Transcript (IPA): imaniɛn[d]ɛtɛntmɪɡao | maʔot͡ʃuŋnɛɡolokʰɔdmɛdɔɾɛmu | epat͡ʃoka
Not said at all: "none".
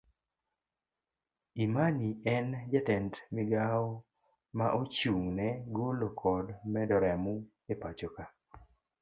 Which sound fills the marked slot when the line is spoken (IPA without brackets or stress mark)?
d͡ʒ